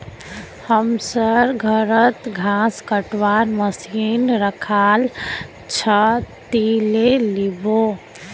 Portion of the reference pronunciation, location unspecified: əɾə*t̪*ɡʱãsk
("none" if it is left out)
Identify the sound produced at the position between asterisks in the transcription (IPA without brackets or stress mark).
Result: t̪